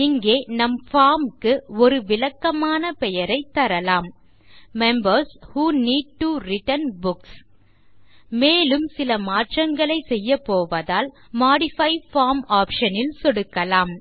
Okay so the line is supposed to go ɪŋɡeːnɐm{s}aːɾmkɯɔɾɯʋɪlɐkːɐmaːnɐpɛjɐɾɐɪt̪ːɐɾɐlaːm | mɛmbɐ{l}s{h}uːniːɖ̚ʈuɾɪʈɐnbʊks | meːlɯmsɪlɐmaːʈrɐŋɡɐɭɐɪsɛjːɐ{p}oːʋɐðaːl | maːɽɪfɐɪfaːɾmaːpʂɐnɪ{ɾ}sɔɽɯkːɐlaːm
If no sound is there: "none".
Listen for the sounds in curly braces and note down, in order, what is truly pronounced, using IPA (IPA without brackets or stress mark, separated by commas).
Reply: f, ɾ, h, p, l